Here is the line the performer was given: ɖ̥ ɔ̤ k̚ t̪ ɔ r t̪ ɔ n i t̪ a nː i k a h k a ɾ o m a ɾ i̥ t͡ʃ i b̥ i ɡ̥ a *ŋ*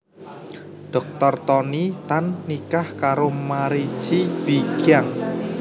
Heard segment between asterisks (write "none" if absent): ŋ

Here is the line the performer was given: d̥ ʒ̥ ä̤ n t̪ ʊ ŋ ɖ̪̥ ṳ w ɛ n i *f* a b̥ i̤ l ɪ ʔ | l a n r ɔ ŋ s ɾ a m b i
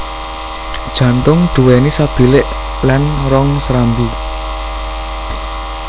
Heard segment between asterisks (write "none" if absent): s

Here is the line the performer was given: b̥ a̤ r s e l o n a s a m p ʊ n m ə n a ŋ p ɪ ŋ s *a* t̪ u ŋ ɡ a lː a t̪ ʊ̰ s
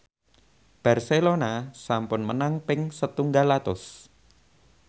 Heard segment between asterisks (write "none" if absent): ə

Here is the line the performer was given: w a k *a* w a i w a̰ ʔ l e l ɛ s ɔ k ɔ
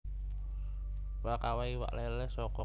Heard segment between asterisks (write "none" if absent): a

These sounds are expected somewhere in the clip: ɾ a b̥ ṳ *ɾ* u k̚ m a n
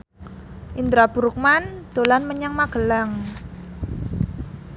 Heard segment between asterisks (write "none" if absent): ɾ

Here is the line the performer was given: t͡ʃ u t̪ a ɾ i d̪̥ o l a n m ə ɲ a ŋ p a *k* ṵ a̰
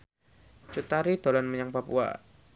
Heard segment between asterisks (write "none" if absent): p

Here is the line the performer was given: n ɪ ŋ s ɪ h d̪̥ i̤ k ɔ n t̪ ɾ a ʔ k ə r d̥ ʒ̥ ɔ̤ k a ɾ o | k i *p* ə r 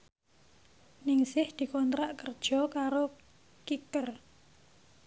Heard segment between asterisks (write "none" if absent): k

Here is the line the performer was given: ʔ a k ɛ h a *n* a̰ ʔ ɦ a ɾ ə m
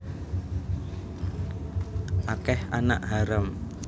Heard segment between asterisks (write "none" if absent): n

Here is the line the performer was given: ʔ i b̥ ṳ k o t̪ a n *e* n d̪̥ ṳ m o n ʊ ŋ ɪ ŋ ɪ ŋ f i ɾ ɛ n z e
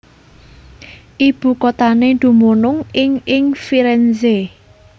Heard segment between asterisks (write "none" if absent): e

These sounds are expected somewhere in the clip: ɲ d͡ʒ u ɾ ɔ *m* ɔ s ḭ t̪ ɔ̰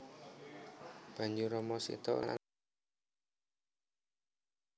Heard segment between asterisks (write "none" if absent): m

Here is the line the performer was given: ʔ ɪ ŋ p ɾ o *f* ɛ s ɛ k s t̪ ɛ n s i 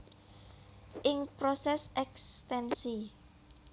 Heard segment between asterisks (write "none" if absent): s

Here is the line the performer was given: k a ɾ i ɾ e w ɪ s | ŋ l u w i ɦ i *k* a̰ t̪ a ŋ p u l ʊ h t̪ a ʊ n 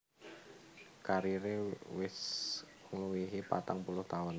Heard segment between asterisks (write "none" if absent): p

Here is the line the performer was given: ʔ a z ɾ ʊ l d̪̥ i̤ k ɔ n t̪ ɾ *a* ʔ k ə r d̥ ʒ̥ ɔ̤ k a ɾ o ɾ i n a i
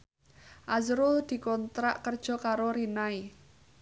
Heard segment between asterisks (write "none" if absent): a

